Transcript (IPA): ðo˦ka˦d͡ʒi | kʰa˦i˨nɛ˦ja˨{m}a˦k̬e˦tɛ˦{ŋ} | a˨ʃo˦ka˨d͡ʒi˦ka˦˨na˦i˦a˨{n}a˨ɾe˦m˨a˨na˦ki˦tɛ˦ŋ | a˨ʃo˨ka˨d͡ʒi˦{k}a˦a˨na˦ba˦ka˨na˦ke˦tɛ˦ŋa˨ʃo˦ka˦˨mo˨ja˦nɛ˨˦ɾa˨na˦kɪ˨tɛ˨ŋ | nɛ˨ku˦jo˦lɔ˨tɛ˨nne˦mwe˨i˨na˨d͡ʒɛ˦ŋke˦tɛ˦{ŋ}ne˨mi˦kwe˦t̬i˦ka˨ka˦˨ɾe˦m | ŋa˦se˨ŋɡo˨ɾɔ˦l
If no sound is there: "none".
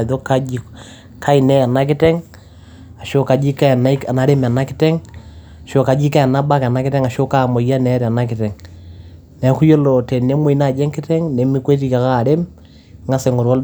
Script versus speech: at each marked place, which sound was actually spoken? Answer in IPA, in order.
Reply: n, ŋ, n, k, ŋ

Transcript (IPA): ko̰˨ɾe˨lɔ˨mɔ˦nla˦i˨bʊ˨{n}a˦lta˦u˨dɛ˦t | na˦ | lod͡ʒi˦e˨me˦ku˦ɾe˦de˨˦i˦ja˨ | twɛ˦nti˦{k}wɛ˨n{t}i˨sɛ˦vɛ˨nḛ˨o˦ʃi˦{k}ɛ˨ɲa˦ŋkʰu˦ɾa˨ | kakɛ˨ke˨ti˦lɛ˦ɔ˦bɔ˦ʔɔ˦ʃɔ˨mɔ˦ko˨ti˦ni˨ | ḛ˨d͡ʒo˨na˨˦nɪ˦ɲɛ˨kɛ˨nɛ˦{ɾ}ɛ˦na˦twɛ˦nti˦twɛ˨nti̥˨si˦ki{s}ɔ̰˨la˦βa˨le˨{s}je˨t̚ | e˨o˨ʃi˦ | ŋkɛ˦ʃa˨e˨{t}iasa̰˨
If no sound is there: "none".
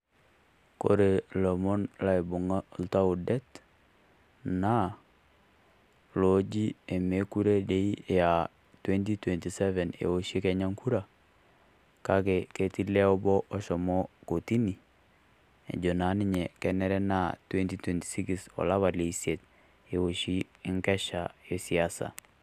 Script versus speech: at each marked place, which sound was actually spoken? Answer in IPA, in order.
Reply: ŋ, t, t, k, ɾ, s, s, s

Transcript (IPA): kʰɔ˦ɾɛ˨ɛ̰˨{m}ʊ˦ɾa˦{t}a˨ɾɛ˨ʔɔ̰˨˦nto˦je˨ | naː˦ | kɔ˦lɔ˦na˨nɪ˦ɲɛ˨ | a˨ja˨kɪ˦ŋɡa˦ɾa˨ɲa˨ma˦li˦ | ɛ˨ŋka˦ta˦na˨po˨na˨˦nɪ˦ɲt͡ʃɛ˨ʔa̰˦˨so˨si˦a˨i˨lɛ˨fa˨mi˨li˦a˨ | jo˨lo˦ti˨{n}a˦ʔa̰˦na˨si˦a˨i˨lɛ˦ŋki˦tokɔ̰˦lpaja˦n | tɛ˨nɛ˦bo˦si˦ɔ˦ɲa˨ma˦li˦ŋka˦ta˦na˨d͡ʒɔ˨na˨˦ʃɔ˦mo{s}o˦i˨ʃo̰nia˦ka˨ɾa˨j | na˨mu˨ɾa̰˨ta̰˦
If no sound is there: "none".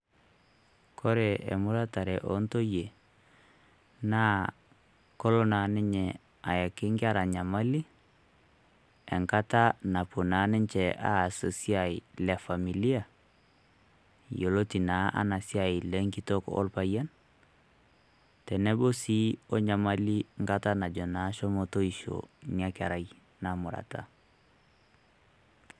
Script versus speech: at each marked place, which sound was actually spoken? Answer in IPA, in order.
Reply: m, t, n, t

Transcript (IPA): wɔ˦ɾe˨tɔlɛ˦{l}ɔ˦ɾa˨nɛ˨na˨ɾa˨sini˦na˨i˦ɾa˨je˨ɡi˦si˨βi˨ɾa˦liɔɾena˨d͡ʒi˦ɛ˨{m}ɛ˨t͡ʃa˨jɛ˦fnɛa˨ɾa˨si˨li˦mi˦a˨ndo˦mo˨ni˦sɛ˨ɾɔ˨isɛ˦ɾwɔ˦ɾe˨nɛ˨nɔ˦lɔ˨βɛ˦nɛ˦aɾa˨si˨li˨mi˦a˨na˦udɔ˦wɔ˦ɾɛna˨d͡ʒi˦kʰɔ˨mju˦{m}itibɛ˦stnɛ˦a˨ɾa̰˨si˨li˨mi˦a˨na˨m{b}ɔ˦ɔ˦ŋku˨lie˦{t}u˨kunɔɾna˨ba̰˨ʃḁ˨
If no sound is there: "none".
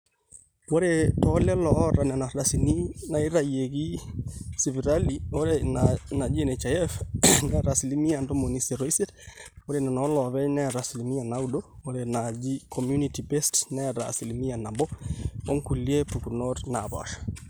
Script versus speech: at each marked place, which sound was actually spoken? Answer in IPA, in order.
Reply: l, n, n, b, p

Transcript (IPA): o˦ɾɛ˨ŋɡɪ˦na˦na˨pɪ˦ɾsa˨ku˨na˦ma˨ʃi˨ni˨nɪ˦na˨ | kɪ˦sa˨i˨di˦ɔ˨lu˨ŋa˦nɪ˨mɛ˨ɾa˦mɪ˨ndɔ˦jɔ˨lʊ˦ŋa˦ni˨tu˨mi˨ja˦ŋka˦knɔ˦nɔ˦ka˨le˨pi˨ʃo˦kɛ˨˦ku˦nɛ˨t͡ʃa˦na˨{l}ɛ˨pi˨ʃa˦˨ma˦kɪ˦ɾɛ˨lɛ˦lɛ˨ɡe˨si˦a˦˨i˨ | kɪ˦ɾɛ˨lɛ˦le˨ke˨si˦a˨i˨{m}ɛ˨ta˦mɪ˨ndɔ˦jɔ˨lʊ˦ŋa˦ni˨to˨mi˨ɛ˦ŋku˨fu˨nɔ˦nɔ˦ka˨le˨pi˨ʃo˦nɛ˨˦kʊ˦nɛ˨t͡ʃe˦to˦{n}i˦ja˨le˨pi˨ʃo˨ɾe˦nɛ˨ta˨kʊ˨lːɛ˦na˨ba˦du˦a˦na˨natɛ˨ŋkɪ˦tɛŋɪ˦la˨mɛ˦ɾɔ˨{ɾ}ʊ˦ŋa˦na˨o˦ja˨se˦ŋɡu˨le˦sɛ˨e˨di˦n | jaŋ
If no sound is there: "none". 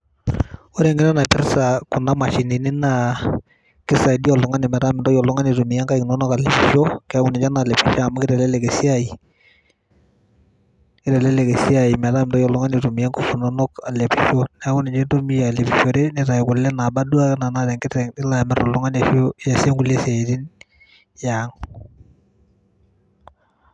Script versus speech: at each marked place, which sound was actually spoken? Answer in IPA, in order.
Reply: l, m, m, l

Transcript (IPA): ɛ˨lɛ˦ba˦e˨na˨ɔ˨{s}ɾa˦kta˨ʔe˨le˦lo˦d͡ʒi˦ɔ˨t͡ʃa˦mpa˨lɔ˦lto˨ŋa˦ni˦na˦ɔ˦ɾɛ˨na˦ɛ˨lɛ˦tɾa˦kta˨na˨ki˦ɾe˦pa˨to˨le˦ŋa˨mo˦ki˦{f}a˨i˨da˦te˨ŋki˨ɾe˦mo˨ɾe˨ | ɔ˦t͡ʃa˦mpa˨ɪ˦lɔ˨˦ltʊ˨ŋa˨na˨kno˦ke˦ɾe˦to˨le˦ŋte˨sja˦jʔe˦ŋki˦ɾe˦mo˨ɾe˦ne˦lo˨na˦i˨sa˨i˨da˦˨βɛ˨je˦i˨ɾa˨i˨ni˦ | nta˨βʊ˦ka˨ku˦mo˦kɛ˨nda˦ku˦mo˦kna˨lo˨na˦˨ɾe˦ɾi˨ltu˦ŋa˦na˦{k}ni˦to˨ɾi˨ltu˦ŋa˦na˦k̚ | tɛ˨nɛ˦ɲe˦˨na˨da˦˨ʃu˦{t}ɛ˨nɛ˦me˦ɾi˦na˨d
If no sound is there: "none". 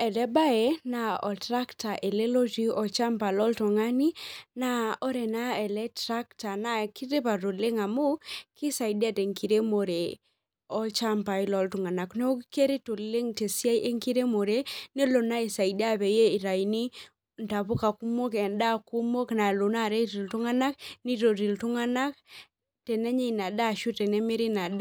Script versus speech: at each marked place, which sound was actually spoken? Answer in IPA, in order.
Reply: t, s, k, t

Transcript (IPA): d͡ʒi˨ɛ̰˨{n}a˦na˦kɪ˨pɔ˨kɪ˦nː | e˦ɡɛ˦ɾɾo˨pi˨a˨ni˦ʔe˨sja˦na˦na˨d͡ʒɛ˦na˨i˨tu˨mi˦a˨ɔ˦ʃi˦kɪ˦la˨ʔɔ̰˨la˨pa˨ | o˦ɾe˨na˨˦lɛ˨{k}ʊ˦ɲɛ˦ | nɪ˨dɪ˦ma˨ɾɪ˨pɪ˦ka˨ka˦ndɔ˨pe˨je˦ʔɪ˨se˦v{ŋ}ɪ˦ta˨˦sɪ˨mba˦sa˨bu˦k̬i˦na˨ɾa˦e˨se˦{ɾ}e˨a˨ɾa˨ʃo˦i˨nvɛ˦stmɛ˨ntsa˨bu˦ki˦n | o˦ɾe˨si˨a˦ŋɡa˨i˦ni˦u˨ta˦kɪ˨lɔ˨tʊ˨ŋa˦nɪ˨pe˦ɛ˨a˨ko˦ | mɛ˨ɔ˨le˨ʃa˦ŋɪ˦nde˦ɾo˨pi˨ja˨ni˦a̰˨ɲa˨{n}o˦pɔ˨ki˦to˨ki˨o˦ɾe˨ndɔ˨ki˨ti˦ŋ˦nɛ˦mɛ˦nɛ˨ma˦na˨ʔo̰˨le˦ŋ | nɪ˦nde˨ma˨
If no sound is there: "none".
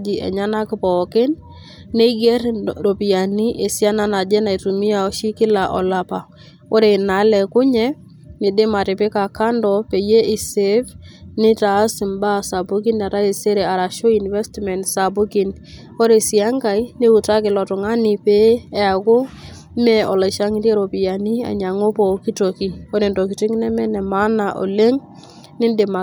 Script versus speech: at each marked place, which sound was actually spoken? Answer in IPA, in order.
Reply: ɲ, k, n, ɾ, ŋ

